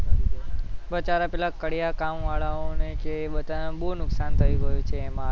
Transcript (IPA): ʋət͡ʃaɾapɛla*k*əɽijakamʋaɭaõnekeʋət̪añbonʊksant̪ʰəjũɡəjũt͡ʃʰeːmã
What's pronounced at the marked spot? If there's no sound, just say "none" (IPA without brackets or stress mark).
k